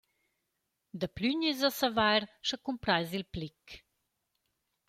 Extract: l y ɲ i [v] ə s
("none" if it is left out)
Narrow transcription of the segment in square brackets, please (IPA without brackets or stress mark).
z